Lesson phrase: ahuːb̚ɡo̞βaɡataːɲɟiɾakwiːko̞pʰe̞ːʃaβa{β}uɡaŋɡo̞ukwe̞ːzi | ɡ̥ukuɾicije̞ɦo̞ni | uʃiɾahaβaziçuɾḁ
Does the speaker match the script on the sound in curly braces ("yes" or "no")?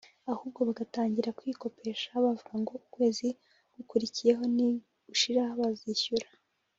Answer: no